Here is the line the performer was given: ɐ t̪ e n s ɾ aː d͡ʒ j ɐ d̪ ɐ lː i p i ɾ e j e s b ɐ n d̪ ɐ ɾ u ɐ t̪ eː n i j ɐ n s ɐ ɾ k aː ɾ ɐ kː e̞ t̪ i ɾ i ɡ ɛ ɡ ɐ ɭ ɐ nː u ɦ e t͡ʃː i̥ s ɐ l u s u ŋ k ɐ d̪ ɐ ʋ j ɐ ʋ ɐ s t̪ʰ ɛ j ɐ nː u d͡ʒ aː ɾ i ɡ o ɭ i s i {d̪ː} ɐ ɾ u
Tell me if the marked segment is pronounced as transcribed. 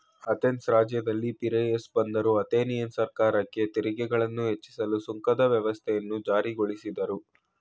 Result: no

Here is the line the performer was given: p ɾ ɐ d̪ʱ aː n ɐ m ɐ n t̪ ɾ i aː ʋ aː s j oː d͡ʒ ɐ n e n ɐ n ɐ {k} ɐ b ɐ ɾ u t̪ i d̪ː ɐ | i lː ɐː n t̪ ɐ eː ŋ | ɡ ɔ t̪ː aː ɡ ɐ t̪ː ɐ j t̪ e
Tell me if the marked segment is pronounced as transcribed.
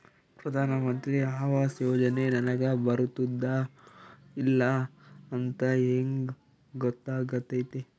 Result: no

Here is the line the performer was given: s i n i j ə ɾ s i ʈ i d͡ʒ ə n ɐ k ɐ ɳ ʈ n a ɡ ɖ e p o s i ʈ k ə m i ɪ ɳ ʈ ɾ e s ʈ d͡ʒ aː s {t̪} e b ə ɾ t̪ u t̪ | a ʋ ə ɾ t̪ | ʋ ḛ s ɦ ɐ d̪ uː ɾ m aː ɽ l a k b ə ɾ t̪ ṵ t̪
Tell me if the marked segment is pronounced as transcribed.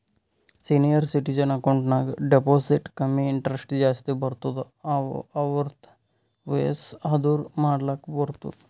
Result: yes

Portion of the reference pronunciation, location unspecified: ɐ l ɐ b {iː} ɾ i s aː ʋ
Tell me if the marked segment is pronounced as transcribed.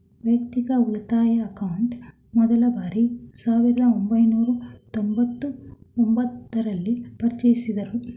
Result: no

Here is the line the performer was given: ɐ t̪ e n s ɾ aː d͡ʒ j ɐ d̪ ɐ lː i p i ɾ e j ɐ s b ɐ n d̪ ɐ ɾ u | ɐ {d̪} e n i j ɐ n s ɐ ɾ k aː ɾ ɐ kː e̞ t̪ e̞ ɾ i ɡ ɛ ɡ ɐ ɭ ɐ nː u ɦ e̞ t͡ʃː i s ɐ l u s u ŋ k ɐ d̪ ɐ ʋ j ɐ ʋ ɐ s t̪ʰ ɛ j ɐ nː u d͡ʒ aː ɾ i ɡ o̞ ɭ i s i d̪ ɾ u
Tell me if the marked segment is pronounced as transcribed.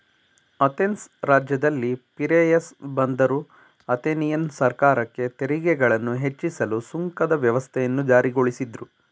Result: no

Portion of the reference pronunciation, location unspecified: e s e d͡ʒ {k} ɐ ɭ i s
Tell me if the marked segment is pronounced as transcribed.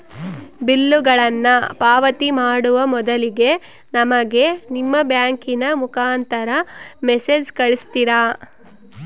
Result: yes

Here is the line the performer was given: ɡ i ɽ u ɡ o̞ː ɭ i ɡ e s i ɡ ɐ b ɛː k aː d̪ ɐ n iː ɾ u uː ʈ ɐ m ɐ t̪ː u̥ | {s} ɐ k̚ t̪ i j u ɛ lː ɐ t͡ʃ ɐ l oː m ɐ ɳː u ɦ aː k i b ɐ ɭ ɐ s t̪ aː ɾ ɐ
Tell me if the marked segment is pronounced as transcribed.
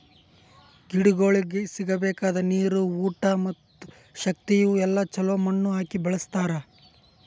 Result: no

